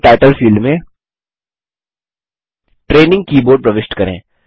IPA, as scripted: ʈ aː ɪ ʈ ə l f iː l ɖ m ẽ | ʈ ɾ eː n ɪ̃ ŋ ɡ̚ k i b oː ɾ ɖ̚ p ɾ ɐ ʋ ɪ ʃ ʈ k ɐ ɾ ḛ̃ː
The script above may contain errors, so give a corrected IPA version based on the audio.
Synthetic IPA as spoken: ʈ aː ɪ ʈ ə l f iː l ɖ m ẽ | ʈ ɾ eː n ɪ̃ ŋ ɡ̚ k iː b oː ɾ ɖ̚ p ɾ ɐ ʋ ɪ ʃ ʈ k ɐ ɾ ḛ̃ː